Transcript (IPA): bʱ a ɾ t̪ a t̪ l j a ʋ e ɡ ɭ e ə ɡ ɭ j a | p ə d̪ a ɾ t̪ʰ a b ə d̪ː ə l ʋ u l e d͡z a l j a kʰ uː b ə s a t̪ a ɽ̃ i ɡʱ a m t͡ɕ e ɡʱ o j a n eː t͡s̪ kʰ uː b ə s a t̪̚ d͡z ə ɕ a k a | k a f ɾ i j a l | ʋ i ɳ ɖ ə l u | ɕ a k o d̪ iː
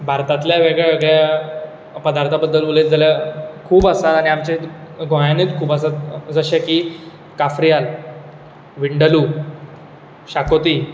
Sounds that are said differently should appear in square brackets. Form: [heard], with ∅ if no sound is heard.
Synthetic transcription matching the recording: bʱ a ɾ t̪ a t̪ l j a ʋ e ɡ ɭ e ə ɡ ɭ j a | p ə d̪ a ɾ t̪ʰ a b ə d̪ː ə l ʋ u l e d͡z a l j a kʰ uː b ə s a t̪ a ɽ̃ i [∅] a m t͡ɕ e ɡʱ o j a n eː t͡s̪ kʰ uː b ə s a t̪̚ d͡z ə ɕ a k [i] | k a f ɾ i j a l | ʋ i ɳ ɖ ə l u | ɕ a k o [t̪] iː